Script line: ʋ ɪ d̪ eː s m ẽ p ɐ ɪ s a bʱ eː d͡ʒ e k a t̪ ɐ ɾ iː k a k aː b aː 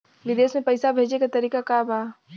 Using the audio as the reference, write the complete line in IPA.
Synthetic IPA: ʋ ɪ d̪ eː s m ẽ p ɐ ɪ s a bʱ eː d͡ʒ e k a t̪ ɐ ɾ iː k a k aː b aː

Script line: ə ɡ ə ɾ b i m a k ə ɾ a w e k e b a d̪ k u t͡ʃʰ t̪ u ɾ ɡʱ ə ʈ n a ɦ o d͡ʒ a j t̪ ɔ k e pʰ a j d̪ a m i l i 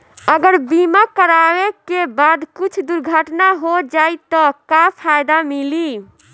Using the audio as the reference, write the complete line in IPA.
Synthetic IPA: ə ɡ ə ɾ b i m a k ə ɾ a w e k e b a d̪ k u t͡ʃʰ d̪ u ɾ ɡʱ ə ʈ n a ɦ o d͡ʒ a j t̪ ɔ k a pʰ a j d̪ a m i l i

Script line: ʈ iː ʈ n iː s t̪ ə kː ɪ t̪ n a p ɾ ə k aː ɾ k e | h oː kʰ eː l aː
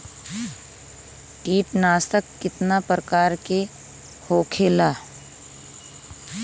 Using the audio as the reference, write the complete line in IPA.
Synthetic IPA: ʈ iː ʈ n aː s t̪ ə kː ɪ t̪ n a p ɾ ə k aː ɾ k e | h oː kʰ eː l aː

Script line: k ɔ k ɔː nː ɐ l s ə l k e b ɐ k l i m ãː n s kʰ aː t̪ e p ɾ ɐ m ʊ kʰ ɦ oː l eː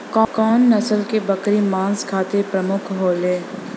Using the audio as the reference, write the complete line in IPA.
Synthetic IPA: k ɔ k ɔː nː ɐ s ə l k e b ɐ k ɾ i m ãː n s kʰ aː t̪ e p ɾ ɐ m ʊ kʰ ɦ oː l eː

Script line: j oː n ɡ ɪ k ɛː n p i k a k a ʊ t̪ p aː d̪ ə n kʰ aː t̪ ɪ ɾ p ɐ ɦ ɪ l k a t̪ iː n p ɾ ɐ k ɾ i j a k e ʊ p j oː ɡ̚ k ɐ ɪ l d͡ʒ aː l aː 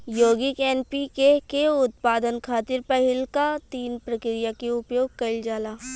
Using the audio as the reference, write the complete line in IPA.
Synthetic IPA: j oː ɡ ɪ k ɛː n p i k e k e ʊ t̪ p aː d̪ ə n kʰ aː t̪ ɪ ɾ p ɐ ɦ ɪ l k a t̪ iː n p ɾ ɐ k ɾ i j a k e ʊ p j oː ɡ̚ k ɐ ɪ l d͡ʒ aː l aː

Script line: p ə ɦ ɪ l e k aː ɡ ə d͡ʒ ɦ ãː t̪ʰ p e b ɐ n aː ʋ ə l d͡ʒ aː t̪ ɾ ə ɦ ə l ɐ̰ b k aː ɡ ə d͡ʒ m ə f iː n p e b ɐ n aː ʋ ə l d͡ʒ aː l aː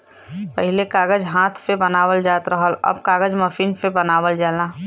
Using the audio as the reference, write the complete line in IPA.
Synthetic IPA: p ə ɦ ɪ l e k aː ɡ ə d͡ʒ ɦ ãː t̪ʰ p e b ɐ n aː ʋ ə l d͡ʒ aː t̪ ɾ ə ɦ ə l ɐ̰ b k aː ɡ ə d͡ʒ m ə f iː n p e b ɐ n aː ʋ ə l d͡ʒ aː l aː

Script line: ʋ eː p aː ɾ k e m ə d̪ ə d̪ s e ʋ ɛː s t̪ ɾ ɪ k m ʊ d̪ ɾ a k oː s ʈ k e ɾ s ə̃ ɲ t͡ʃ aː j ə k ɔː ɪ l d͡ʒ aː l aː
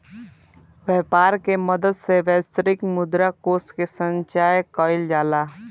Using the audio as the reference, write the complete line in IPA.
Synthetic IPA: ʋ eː p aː ɾ k e m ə d̪ ə d̪ s e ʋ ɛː s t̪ ɾ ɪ k m ʊ d̪ ɾ a k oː s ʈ k e s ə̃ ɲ t͡ʃ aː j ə k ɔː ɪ l d͡ʒ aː l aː

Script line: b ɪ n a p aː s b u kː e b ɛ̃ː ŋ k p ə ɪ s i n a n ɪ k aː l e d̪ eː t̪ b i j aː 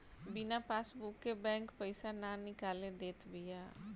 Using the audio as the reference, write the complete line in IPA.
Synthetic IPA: b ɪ n a p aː s b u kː e b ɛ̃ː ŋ k p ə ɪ s a n a n ɪ k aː l e d̪ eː t̪ b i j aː

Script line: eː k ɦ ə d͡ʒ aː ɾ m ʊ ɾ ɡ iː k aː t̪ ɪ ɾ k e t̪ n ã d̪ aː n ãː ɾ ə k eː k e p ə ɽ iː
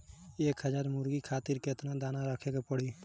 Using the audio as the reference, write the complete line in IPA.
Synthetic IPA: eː k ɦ ə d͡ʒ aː ɾ m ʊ ɾ ɡ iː kʰ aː t̪ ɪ ɾ k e t̪ n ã d̪ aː n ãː ɾ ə kʰ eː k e p ə ɽ iː

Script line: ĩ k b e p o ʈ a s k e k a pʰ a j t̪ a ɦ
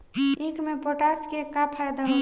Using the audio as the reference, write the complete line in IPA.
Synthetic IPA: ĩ k m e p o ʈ a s k e k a pʰ a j d̪ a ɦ

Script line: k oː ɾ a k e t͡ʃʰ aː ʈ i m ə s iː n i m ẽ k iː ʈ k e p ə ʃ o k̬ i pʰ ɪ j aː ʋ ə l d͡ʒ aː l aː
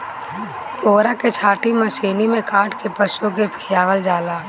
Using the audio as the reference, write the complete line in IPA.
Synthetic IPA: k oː ɾ a k e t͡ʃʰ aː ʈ i m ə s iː n i m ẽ k aː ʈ k e p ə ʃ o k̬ e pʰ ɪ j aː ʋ ə l d͡ʒ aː l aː

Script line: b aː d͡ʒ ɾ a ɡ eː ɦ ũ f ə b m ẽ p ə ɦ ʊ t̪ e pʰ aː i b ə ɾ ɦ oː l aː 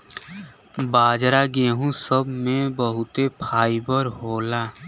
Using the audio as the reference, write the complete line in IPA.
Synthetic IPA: b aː d͡ʒ ɾ a ɡ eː ɦ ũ s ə b m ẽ b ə ɦ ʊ t̪ e pʰ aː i b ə ɾ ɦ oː l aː

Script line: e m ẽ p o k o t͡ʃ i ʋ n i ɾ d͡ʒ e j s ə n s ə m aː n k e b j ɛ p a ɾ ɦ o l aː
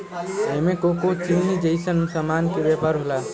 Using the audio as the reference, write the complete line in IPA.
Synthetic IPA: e m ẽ k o k o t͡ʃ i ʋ n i d͡ʒ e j s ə n s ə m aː n k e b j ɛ p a ɾ ɦ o l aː

